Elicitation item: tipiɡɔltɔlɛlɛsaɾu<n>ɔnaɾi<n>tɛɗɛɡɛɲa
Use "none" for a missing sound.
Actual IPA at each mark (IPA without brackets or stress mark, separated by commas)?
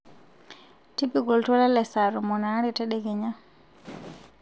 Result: m, none